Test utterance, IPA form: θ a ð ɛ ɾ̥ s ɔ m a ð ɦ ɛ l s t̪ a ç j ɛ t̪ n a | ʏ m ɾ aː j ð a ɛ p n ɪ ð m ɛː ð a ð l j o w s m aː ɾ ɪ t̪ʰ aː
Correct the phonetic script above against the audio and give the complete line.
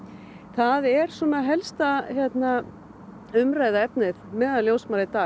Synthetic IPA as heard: θ a ð ɛ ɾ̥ s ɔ m a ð ɦ ɛ l s t̪ a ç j ɛ t̪ n a | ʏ m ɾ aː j ð a ɛ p n ɪ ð m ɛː ð a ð l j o w s m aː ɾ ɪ t̪ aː